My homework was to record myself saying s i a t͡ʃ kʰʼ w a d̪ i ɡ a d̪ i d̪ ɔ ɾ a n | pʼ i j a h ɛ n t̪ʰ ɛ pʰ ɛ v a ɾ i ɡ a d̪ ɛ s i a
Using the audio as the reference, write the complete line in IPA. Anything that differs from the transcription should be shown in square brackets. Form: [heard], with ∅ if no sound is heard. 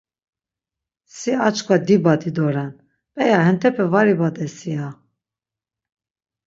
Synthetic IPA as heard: s i a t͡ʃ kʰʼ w a d̪ i [b] a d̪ i d̪ ɔ ɾ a n | pʼ [ɛ] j a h ɛ n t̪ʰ ɛ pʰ ɛ v a ɾ i [b] a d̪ ɛ s i a